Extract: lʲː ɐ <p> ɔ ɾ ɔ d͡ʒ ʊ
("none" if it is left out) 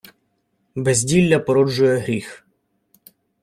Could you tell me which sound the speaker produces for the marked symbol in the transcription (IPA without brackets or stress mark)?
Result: p